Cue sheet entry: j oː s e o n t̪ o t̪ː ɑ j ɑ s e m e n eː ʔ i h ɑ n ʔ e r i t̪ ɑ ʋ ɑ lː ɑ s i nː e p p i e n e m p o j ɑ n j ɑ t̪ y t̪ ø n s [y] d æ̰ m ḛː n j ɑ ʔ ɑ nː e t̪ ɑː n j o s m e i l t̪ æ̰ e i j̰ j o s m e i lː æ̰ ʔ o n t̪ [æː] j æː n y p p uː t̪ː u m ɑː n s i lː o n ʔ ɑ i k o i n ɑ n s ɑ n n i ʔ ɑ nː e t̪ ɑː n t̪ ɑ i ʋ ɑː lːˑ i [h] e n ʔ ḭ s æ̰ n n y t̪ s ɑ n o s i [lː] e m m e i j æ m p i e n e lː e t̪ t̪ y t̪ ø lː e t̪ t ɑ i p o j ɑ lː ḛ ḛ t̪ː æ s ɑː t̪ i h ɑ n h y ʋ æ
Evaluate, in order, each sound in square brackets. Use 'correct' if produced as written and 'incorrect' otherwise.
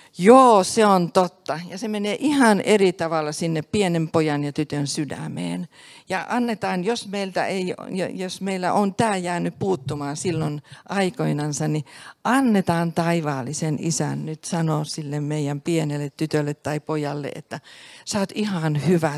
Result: correct, correct, incorrect: s, correct

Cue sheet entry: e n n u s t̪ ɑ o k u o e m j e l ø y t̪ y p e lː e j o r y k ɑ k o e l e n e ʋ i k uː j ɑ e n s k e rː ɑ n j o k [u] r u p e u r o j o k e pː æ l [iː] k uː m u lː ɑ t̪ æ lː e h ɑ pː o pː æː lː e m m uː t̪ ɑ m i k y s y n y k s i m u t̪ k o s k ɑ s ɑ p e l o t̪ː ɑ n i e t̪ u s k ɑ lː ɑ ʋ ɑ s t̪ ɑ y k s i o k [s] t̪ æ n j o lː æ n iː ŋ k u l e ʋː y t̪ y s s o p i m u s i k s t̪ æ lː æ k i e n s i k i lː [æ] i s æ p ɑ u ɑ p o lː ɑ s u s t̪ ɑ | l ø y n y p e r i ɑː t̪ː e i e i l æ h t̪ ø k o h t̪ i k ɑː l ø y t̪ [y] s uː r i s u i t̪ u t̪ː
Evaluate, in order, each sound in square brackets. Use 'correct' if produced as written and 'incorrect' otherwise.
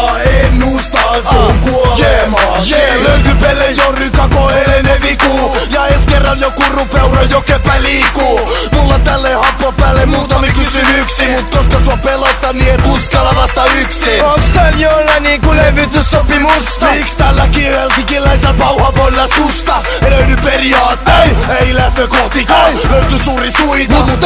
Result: correct, correct, correct, correct, correct

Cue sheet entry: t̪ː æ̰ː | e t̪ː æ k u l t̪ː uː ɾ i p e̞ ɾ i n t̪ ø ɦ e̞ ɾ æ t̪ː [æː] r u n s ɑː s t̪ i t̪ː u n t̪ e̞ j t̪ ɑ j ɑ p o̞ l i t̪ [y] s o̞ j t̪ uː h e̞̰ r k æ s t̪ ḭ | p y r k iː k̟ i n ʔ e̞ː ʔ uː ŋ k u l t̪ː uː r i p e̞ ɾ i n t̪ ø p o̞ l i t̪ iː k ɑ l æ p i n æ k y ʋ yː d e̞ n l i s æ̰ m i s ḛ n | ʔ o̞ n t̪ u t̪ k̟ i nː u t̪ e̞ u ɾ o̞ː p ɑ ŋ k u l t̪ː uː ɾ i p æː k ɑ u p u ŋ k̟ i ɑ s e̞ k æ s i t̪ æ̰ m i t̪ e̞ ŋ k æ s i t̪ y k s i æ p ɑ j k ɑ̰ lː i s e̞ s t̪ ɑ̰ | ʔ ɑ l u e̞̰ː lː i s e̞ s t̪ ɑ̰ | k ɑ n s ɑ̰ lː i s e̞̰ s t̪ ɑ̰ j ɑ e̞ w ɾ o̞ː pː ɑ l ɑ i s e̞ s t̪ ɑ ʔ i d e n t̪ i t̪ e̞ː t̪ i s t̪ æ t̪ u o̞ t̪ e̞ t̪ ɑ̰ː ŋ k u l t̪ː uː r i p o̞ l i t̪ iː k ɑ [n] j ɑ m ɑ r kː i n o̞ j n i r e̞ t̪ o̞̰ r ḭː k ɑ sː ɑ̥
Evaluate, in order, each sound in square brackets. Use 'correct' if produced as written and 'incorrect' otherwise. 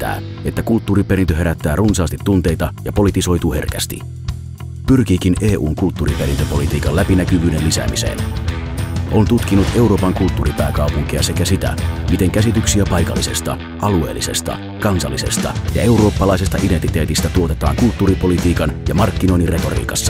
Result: correct, incorrect: i, correct

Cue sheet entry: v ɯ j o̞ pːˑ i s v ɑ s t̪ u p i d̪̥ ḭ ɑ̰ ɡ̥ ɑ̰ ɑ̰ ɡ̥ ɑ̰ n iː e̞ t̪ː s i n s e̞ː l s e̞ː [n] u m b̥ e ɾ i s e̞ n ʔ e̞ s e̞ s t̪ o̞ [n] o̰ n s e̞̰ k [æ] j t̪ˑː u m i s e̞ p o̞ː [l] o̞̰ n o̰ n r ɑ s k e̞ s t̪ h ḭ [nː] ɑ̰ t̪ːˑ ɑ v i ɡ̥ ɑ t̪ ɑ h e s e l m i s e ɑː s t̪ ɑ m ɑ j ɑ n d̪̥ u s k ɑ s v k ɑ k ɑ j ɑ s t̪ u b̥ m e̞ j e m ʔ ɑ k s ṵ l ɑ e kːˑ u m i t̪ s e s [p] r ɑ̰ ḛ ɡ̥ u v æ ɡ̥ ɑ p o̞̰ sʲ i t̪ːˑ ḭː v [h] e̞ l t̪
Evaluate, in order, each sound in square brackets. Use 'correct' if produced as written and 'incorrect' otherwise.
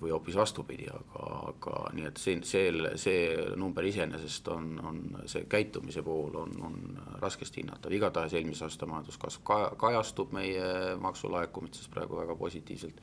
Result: correct, correct, correct, correct, correct, correct, incorrect: s

